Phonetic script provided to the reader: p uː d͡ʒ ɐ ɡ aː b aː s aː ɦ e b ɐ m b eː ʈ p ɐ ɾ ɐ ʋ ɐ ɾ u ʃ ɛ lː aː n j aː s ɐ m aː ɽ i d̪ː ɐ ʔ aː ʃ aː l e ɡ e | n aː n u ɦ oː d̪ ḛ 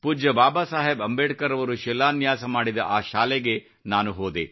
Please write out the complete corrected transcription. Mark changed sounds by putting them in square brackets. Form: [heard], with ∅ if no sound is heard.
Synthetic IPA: p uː d͡ʒ ɐ [b] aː b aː s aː ɦ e b ɐ m b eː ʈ [k] ɐ ɾ ɐ ʋ ɐ ɾ u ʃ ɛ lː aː n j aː s ɐ m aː ɽ i [d̪] ɐ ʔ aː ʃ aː l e ɡ e | n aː n u ɦ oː d̪ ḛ

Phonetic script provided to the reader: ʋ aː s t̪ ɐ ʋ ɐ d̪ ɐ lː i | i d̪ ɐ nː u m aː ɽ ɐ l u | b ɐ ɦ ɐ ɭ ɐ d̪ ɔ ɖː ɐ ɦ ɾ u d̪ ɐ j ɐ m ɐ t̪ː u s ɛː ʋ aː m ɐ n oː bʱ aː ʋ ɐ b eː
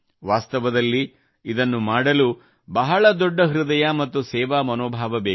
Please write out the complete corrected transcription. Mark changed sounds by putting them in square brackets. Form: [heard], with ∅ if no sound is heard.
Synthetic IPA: ʋ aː s t̪ ɐ ʋ ɐ d̪ ɐ lː i | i d̪ ɐ nː u m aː ɽ ɐ l u | b ɐ ɦ ɐ ɭ ɐ d̪ ɔ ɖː ɐ ɦ ɾ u d̪ ɐ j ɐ m ɐ t̪ː u s ɛː ʋ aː m ɐ n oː bʱ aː ʋ ɐ b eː

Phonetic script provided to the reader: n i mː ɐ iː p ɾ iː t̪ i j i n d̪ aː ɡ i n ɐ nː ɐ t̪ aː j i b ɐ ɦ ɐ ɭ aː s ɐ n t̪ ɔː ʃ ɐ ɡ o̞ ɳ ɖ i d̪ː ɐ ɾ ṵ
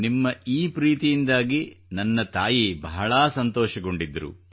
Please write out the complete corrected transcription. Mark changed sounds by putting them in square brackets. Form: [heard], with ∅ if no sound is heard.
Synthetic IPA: n i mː ɐ iː p ɾ iː t̪ i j i n d̪ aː ɡ i n ɐ nː ɐ t̪ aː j i b ɐ ɦ ɐ ɭ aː s ɐ n t̪ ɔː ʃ ɐ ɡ o̞ ɳ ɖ i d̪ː ɐ ɾ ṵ

